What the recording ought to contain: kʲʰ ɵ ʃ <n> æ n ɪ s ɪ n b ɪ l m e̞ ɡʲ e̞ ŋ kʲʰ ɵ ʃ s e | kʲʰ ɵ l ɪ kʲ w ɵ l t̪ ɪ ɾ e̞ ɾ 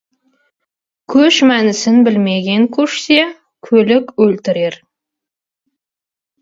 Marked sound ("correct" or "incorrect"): incorrect